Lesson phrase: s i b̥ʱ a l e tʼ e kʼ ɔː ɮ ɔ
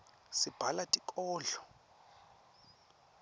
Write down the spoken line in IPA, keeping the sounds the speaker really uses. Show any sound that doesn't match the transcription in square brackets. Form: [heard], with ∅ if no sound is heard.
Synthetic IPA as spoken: s i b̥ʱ a l [a] tʼ [i] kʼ ɔː ɮ ɔ